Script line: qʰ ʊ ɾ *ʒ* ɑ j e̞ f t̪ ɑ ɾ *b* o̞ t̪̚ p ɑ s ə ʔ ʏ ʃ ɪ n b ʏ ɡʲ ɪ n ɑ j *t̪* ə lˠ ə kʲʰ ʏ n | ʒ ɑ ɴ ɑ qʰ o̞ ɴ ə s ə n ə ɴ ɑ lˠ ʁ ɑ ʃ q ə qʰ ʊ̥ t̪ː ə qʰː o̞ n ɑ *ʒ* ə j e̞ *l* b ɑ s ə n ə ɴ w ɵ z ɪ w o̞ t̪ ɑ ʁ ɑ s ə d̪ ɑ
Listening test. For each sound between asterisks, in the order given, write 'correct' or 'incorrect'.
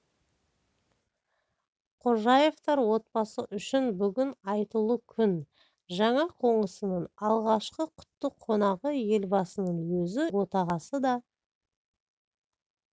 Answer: correct, incorrect, correct, incorrect, correct

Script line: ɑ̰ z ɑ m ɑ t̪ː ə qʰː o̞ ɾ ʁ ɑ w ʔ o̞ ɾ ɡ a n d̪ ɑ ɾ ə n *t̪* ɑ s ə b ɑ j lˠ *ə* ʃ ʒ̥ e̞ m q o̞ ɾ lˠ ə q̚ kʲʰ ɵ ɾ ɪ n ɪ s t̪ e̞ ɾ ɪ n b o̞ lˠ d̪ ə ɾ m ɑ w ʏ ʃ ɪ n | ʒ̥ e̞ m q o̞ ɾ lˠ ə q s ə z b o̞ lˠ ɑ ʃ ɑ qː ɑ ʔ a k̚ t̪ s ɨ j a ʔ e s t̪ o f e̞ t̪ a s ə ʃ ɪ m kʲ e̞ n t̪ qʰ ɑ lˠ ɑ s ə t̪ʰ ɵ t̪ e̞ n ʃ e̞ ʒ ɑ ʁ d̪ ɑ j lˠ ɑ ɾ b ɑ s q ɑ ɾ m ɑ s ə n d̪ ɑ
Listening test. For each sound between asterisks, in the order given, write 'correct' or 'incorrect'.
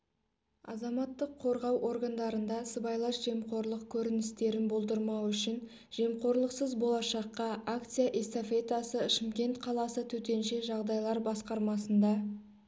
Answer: incorrect, incorrect

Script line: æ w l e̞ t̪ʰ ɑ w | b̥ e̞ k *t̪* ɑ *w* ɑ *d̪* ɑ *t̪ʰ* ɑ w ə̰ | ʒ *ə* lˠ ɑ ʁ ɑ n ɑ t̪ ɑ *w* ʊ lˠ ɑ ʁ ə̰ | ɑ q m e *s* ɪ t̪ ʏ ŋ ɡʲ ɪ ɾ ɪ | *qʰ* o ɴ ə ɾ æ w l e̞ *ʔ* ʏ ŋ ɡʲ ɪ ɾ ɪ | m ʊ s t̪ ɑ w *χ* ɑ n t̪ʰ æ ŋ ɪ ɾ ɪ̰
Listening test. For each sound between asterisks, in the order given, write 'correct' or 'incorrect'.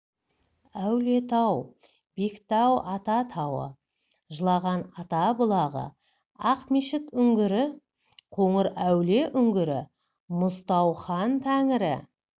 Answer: correct, correct, incorrect, correct, correct, incorrect, incorrect, correct, correct, correct

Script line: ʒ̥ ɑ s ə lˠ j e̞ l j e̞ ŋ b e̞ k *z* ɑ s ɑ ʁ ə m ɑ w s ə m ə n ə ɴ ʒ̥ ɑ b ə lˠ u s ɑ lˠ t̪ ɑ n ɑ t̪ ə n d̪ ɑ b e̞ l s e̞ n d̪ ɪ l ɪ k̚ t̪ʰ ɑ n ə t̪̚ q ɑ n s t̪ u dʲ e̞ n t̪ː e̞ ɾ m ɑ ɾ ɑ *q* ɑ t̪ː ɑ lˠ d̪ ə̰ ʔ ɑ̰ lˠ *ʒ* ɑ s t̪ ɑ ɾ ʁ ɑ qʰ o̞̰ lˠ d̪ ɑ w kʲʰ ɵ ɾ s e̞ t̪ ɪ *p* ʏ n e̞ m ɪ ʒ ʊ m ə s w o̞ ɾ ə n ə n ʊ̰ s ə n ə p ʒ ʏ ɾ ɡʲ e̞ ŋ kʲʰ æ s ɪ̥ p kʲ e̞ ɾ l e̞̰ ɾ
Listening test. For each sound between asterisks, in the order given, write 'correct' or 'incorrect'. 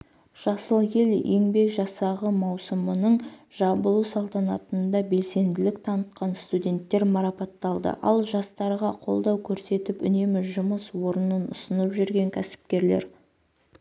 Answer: incorrect, incorrect, correct, correct

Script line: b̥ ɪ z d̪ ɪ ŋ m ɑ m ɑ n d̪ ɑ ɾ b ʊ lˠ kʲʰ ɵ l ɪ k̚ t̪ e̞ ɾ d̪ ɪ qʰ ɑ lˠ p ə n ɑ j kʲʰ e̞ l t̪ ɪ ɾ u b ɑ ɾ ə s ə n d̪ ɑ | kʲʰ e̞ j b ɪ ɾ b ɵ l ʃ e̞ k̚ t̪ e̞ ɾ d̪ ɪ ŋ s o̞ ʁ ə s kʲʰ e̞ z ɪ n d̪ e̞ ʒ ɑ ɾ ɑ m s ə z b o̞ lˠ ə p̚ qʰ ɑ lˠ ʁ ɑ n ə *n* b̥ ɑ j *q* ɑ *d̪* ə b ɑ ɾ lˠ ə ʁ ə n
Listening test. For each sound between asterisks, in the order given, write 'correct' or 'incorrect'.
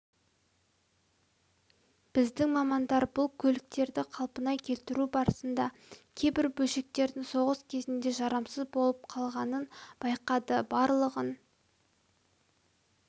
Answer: correct, correct, correct

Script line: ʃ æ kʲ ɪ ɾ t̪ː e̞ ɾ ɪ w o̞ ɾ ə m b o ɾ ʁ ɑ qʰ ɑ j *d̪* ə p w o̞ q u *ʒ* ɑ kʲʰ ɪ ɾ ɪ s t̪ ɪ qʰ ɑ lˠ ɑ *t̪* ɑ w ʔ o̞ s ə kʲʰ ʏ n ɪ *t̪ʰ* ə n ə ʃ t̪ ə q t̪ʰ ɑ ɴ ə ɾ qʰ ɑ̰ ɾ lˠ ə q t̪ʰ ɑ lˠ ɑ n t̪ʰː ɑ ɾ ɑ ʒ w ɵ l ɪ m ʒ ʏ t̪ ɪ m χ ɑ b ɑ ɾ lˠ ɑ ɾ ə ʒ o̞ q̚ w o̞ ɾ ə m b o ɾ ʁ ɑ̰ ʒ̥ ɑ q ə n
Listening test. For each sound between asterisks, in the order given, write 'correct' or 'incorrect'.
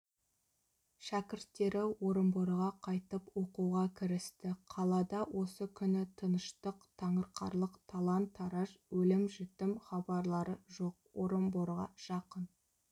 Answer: incorrect, incorrect, incorrect, correct

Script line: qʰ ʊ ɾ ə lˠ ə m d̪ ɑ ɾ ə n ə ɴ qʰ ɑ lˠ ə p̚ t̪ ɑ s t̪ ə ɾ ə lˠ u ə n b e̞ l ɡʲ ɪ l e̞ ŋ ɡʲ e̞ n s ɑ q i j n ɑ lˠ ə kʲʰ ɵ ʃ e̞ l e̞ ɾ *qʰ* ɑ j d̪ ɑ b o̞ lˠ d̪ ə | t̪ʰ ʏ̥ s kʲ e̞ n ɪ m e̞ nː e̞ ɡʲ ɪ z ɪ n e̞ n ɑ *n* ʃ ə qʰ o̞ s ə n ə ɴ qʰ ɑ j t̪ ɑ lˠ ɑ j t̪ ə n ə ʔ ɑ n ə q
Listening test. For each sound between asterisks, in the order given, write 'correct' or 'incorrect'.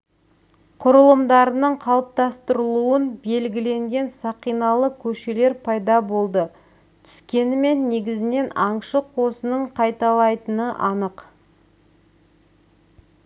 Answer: incorrect, incorrect

